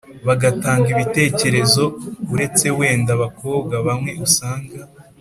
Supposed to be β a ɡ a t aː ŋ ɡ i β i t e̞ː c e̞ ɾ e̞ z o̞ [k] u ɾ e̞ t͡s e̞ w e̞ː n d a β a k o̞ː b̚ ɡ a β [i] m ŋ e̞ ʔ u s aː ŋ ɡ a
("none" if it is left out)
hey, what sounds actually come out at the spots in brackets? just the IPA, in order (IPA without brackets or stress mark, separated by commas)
none, a